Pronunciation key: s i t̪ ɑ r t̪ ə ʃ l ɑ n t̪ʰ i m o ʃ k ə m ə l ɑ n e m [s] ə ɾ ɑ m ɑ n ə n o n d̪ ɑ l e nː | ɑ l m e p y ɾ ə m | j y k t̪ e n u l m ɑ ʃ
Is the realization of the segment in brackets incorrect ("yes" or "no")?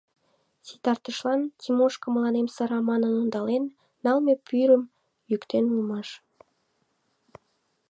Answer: no